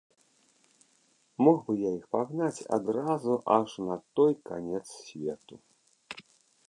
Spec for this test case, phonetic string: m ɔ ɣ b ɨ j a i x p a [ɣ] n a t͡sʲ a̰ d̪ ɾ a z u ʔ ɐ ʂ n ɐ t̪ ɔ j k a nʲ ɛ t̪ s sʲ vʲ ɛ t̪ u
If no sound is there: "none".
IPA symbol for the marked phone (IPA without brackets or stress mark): ɣ